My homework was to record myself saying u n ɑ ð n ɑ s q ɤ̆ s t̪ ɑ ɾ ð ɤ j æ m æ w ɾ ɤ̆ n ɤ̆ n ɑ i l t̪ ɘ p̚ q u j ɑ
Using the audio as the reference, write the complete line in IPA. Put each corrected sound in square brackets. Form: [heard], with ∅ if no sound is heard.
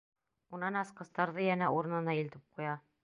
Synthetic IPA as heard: u n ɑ [∅] n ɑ s q ɤ̆ s t̪ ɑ ɾ ð ɤ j æ [n] æ [u] ɾ ɤ̆ n ɤ̆ n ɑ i l t̪ ɘ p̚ q u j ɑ